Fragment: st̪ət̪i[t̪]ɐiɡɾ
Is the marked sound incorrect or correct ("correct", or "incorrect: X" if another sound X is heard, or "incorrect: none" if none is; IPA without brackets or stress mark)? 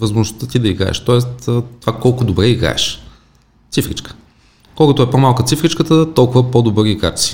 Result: incorrect: d̪